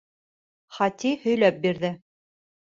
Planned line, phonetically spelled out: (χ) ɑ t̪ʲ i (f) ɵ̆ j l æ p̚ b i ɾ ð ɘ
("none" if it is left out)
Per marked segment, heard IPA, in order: χ, h

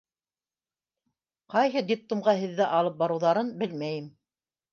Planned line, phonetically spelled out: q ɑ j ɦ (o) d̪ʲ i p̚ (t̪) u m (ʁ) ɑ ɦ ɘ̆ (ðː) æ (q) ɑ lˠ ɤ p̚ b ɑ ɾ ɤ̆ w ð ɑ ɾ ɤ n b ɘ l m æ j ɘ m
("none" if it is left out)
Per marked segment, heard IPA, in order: ɤ, t̪, ʁ, ðː, ʔ

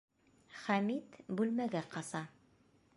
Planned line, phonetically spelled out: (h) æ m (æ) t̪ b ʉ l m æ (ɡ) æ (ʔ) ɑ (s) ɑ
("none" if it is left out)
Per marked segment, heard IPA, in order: χ, i, ɡ, q, s

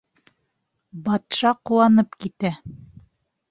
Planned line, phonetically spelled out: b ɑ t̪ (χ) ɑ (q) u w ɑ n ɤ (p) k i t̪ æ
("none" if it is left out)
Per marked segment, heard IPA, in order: ʃ, q, p

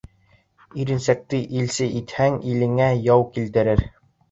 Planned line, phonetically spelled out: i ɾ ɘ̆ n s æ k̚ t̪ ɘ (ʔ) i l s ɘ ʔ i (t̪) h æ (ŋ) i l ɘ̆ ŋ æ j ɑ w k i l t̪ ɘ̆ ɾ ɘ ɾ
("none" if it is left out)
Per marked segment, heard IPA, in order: ʔ, t̪, ŋ

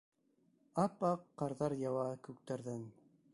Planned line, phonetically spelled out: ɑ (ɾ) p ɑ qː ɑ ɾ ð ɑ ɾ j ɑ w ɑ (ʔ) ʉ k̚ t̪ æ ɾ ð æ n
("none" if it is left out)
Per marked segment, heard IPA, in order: none, k

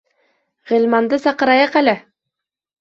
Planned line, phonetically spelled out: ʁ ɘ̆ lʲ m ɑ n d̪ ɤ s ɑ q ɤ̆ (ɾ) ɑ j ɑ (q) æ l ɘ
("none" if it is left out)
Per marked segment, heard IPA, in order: ɾ, q

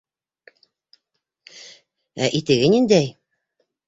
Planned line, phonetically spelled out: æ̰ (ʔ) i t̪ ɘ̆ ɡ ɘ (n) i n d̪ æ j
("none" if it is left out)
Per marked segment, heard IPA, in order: ʔ, n

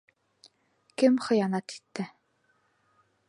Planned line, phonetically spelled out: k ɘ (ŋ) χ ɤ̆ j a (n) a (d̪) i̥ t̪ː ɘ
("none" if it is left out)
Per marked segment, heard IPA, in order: m, n, t̪

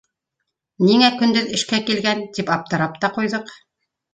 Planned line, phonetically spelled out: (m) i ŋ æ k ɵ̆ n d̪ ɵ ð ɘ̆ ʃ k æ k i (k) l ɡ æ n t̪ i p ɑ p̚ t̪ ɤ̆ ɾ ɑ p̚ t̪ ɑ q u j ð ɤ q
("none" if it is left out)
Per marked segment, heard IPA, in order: n, none

